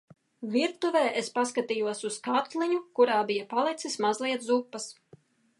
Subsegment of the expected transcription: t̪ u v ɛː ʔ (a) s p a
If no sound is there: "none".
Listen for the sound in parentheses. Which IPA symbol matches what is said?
e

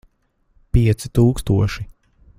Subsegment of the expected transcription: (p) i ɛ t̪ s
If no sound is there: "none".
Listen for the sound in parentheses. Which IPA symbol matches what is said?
p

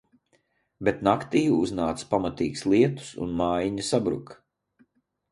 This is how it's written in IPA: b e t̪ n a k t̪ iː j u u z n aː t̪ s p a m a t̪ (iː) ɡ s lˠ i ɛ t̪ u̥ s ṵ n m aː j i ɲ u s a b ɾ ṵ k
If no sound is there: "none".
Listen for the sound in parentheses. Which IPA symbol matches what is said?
iː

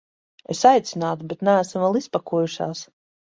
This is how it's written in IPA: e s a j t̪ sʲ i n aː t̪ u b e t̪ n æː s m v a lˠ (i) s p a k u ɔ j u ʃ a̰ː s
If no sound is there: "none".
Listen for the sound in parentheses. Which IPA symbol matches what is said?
i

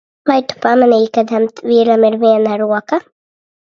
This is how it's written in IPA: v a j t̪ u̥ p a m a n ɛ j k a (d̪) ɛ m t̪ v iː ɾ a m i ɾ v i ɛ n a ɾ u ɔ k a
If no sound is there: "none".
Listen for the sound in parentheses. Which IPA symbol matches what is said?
d̪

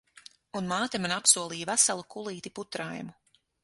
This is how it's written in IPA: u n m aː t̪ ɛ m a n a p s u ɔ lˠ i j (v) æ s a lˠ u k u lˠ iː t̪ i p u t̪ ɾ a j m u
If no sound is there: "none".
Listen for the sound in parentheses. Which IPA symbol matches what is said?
v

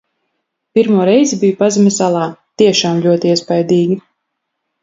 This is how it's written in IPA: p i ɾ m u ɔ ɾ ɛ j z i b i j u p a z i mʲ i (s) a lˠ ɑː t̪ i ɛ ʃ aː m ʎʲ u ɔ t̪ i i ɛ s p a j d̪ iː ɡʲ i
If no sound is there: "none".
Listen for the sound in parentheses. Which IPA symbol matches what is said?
s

